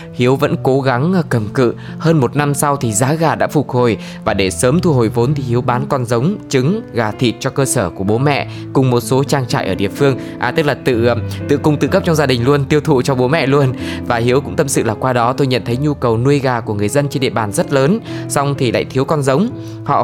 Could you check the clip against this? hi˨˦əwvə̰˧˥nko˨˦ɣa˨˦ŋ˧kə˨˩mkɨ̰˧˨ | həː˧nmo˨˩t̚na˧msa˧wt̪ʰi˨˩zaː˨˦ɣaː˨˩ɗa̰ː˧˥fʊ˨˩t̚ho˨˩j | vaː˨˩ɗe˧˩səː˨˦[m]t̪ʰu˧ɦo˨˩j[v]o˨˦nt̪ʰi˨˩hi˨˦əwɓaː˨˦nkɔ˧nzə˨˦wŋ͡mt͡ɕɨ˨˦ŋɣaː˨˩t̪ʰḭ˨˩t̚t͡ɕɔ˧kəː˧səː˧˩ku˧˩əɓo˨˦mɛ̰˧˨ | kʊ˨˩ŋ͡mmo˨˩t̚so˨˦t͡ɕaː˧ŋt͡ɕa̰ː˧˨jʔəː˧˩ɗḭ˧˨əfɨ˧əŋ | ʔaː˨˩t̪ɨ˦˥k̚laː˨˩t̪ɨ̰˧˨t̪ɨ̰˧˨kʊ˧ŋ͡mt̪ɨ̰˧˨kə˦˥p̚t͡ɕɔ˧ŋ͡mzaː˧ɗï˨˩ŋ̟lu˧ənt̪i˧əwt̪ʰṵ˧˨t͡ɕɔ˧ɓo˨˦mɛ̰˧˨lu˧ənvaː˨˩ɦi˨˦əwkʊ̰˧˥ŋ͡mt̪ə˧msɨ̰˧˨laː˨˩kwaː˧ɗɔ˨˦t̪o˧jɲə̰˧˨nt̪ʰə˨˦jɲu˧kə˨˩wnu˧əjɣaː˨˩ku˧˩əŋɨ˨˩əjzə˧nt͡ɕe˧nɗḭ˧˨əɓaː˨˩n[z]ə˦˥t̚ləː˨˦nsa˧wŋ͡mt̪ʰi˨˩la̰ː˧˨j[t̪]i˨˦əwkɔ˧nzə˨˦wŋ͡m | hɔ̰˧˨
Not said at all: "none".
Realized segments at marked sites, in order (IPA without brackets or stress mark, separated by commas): m, v, z, t̪ʰ